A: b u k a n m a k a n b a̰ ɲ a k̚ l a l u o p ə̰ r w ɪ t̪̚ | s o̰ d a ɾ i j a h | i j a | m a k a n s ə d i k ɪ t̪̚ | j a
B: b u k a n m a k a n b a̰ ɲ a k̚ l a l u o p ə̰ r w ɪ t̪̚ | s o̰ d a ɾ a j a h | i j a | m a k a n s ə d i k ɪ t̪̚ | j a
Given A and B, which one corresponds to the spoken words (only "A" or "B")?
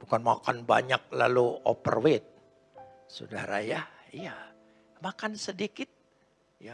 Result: B